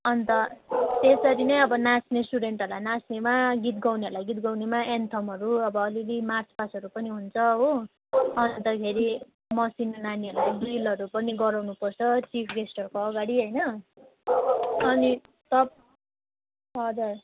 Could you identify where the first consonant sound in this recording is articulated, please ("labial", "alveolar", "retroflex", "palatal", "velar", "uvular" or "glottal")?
alveolar